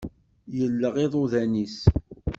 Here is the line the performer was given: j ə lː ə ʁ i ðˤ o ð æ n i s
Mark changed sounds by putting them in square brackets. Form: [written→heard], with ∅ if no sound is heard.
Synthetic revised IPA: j ə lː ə ʁ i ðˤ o ð æ n i s